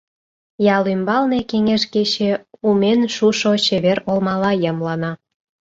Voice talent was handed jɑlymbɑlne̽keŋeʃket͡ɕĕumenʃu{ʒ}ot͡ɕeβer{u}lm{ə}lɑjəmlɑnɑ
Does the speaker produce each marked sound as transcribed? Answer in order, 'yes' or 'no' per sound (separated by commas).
no, no, no